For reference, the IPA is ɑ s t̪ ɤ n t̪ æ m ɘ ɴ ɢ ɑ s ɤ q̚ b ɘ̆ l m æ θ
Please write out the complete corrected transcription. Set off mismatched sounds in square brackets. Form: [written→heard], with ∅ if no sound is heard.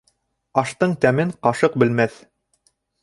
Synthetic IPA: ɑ [s→ʃ] t̪ ɤ [n→ɴ] t̪ æ m ɘ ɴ [ɢ→q] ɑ [s→ʃ] ɤ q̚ b ɘ̆ l m æ θ